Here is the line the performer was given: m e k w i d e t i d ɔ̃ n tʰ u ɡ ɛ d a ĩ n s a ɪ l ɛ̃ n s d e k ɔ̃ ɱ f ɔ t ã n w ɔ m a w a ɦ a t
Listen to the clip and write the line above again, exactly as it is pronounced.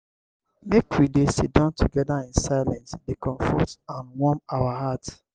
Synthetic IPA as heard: m e k w i d e s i d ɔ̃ n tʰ u ɡ ɛ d a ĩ n s a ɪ l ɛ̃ n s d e k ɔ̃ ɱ f ɔ t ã n w ɔ m a w a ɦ a t